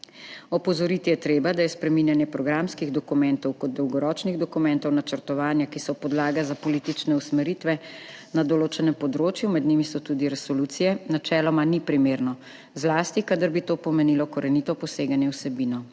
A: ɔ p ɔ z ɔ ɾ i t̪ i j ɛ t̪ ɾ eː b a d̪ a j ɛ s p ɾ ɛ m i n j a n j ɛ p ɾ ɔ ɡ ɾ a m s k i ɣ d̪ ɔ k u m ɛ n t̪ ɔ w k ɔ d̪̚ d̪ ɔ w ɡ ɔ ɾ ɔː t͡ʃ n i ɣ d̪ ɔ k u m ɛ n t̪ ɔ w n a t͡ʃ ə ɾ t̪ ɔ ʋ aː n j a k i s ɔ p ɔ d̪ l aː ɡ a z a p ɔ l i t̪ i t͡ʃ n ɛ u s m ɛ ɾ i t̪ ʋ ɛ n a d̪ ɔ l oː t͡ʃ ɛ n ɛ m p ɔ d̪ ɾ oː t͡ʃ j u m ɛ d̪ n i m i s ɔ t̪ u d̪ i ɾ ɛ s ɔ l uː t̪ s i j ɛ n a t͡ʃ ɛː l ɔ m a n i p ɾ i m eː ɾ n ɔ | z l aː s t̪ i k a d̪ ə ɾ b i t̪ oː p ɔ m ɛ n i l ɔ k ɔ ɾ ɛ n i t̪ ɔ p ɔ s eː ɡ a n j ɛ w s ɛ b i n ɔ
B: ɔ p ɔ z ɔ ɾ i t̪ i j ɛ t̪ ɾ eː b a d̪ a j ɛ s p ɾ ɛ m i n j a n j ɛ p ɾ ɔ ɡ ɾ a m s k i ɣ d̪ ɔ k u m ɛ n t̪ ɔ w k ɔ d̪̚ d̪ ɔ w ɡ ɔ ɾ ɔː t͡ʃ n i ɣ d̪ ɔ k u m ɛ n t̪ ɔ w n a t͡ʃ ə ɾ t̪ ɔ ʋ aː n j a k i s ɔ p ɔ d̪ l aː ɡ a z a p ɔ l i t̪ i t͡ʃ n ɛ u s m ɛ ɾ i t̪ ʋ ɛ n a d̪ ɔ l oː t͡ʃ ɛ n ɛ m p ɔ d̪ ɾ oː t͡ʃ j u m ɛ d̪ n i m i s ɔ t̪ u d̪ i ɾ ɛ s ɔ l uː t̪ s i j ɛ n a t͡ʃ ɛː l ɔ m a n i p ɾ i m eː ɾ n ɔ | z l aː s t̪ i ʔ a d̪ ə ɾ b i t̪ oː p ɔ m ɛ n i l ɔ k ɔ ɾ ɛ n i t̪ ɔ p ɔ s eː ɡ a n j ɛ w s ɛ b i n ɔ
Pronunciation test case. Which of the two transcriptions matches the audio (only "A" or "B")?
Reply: A